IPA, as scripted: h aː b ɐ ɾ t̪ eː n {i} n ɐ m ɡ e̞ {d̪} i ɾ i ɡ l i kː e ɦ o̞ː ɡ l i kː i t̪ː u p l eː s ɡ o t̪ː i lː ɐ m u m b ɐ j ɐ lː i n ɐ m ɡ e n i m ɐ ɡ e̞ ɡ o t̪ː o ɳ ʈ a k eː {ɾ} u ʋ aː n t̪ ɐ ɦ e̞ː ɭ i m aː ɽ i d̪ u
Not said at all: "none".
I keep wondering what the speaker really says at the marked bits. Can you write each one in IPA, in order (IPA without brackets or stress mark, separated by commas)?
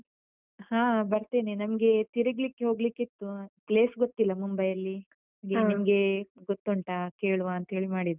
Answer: e, t̪, ɭ